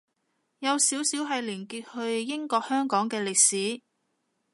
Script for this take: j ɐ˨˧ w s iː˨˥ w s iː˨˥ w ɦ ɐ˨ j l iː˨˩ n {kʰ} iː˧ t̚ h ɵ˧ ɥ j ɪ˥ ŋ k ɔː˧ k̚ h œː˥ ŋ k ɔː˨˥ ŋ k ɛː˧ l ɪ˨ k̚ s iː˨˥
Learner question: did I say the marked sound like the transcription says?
no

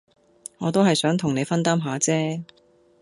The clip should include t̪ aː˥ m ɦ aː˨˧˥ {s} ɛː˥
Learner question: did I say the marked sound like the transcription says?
no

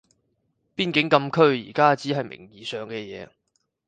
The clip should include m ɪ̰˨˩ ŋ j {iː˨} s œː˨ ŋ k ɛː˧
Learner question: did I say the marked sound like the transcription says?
yes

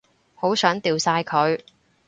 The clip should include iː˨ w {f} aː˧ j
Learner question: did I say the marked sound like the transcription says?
no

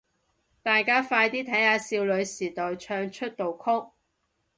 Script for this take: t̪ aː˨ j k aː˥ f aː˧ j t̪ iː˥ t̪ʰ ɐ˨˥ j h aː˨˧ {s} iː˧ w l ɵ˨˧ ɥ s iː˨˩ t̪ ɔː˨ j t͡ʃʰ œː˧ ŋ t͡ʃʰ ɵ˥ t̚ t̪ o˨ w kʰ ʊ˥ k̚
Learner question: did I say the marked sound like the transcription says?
yes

